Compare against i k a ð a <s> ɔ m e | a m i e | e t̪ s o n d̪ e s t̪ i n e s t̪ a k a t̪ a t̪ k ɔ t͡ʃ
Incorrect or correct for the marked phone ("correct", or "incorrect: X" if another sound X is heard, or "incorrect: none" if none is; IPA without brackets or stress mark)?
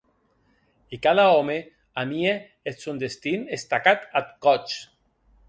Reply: incorrect: none